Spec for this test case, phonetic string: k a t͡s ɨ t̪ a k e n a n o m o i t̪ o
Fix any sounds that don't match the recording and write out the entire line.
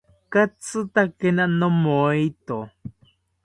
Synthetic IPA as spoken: k a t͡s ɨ t̪ a k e n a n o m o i t̪ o